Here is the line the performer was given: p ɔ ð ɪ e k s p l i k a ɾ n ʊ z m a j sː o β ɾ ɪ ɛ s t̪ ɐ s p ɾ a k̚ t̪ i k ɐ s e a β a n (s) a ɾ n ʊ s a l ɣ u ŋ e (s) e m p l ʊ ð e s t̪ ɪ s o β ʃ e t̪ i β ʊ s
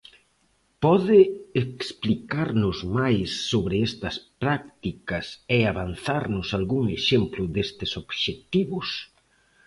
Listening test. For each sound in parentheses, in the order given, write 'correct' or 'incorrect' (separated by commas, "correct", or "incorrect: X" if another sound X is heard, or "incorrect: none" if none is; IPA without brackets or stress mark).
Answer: incorrect: θ, incorrect: ʃ